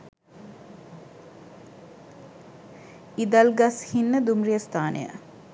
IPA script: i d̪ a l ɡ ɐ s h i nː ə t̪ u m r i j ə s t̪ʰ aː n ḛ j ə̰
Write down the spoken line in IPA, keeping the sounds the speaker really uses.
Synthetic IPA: i d̪ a l ɡ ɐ s h i nː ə d̪ u m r i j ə s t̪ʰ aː n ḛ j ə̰